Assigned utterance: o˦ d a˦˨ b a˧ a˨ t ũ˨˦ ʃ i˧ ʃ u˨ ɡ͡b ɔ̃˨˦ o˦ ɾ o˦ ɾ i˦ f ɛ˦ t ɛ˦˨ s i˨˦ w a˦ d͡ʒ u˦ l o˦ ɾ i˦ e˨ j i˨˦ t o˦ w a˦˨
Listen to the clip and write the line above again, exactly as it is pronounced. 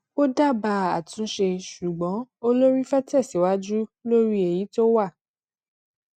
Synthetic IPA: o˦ d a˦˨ b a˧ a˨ t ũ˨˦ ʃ e˧ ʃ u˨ ɡ͡b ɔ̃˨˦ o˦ l o˦ ɾ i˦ f ɛ˦ t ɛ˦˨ s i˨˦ w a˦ d͡ʒ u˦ l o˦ ɾ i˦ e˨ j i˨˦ t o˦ w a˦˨

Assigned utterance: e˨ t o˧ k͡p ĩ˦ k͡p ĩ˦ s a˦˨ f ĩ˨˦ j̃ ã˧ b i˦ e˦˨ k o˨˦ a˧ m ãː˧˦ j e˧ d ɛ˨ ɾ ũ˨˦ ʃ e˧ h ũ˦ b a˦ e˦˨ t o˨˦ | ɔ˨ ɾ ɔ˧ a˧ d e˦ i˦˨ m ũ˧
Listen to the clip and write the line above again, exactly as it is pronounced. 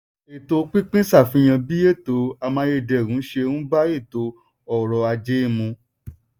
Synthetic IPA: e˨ t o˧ k͡p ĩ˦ k͡p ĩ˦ s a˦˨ f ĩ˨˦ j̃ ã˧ b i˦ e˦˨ t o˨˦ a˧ m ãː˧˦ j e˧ d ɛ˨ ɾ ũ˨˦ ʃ e˧ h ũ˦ b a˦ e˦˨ t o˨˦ | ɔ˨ ɾ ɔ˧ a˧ d͡ʒ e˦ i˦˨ m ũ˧

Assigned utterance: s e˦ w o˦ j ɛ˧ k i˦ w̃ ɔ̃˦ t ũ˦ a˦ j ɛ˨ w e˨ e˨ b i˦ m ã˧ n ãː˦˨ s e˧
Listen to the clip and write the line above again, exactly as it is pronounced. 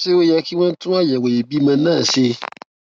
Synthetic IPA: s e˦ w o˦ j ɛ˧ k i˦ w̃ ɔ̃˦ t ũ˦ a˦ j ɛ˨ w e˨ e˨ b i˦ m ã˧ n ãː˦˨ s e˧

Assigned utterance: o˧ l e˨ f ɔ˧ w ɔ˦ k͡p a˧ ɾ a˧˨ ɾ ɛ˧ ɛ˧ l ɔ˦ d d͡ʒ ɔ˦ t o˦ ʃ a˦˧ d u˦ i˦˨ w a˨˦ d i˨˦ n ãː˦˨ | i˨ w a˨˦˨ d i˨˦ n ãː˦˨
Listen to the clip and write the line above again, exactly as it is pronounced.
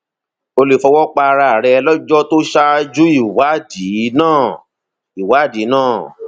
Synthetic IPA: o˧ l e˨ f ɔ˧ w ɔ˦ k͡p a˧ ɾ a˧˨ ɾ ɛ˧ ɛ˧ l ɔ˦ d͡ʒ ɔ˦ t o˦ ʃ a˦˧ d͡ʒ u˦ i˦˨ w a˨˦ d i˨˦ n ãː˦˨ | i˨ w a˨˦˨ d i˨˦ n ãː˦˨

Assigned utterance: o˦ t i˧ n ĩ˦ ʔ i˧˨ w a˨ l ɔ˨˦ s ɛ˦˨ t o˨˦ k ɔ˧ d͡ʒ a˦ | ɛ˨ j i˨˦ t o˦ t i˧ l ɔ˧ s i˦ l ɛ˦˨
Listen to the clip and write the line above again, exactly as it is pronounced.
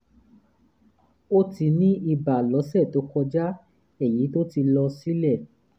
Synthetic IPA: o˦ t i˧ n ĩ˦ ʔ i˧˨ b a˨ l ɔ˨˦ s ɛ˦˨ t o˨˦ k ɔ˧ d͡ʒ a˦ | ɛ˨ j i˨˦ t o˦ t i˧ l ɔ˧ s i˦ l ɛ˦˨

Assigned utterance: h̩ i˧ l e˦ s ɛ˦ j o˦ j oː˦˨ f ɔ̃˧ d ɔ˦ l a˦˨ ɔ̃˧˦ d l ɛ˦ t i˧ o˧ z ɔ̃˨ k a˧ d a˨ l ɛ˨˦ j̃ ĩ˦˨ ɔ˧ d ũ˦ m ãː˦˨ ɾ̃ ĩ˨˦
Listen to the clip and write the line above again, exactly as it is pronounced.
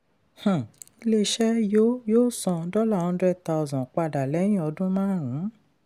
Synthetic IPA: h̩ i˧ l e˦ ʃ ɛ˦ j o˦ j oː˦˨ s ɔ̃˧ d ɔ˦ l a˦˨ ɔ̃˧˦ d ɾ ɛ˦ t a˧ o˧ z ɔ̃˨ k͡p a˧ d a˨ l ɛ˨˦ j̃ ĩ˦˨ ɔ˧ d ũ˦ m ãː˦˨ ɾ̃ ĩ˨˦

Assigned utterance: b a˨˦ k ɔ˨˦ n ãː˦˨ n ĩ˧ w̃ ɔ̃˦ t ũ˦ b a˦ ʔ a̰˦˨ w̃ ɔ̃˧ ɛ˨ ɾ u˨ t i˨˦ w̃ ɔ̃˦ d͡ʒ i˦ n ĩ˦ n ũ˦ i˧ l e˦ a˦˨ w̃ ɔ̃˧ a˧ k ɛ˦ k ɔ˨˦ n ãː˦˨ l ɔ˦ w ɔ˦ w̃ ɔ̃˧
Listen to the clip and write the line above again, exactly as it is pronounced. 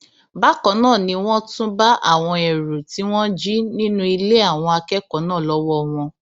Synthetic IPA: b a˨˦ k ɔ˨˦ n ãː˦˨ n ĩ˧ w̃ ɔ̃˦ t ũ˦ b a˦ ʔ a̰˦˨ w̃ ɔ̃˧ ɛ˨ ɾ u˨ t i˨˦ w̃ ɔ̃˦ d͡ʒ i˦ n ĩ˦ n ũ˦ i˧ l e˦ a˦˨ w̃ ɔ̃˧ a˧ k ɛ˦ k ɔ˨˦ n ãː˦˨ l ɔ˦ w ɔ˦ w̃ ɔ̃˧

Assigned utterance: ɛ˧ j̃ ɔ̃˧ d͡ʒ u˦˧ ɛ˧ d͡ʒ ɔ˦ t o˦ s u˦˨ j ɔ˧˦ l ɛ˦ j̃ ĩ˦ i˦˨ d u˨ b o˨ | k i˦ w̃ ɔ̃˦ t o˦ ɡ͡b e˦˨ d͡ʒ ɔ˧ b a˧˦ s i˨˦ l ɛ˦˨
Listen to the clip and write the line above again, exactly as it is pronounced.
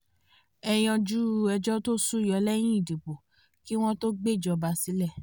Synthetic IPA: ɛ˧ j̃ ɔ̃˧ d͡ʒ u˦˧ ɛ˧ d͡ʒ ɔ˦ t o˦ s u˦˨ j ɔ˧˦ l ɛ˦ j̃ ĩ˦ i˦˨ d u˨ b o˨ | k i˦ w̃ ɔ̃˦ t o˦ ɡ͡b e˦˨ d͡ʒ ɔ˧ b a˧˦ s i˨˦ l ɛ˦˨

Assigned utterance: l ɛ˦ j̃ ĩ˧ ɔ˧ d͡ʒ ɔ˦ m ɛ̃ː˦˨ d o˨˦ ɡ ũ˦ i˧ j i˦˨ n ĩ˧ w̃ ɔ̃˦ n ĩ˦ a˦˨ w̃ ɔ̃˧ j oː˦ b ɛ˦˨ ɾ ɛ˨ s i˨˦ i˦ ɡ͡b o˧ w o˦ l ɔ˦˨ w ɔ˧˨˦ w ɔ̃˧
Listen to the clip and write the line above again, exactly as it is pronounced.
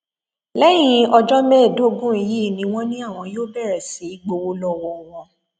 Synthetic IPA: l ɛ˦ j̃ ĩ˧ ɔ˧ d͡ʒ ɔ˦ m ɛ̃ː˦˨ d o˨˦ ɡ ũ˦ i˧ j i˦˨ n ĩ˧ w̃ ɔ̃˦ n ĩ˦ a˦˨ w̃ ɔ̃˧ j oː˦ b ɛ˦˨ ɾ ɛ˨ s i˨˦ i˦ ɡ͡b o˧ w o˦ l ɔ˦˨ w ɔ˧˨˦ w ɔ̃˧

